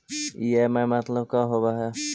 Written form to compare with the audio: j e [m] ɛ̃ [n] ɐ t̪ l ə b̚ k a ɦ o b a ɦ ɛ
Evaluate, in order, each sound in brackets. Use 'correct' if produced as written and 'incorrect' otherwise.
correct, incorrect

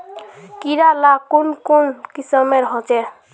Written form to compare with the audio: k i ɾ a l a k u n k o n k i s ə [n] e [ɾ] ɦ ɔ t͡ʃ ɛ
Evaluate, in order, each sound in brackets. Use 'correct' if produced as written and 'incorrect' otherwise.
incorrect, correct

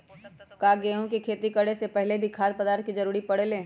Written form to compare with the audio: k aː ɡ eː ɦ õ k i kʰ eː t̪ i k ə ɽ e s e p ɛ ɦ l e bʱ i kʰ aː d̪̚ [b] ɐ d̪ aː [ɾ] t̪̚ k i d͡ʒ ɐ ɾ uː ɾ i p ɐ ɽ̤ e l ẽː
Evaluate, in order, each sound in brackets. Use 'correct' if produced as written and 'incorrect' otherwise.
incorrect, correct

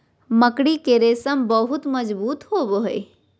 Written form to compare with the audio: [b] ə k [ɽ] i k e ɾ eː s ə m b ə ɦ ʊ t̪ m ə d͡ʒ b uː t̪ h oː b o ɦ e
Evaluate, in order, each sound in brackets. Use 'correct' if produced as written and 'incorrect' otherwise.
incorrect, correct

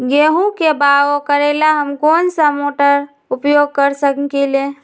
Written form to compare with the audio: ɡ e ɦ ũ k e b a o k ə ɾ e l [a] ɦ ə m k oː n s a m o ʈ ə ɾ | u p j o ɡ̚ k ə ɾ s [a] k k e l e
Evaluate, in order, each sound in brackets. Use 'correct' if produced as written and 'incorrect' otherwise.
correct, incorrect

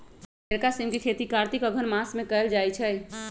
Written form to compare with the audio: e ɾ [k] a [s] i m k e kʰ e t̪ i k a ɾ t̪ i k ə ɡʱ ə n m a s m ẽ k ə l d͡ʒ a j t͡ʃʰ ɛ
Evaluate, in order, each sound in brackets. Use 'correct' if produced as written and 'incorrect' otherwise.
correct, correct

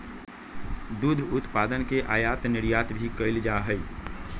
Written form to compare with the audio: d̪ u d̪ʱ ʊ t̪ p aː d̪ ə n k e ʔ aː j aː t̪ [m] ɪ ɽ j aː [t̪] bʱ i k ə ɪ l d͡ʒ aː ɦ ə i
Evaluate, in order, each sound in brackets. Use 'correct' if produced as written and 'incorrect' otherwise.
incorrect, correct

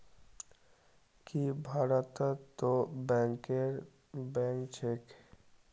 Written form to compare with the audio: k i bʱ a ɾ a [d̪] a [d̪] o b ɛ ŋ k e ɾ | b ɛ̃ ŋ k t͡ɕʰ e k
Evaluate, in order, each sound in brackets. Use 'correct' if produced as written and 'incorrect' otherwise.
incorrect, incorrect

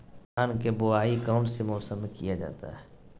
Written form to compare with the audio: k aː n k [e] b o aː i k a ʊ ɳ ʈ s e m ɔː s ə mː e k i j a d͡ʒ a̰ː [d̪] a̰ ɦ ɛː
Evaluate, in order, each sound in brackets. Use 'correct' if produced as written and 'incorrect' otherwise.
correct, incorrect

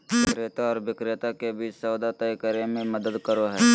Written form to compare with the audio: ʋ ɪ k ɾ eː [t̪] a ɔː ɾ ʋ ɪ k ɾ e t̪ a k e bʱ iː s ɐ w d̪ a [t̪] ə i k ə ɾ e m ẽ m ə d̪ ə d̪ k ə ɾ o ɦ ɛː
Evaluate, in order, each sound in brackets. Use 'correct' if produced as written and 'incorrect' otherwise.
correct, correct

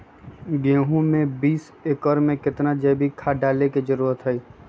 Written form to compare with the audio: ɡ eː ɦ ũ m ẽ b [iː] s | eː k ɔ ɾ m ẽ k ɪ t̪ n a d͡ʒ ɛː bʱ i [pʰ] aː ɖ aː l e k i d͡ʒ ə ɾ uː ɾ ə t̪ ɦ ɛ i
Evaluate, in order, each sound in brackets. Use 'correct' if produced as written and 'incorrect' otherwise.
correct, incorrect

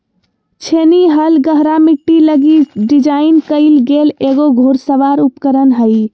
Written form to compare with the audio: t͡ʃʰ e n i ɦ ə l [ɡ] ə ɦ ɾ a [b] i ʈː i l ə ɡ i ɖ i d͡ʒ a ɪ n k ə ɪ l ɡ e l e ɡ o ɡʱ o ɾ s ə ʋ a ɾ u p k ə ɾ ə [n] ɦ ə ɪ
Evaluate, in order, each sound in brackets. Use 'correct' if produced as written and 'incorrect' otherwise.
correct, incorrect, correct

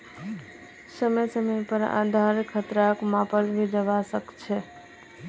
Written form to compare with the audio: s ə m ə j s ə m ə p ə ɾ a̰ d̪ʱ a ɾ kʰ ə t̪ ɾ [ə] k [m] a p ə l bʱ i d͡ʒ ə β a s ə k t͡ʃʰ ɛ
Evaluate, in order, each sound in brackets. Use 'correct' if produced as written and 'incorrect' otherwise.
incorrect, correct

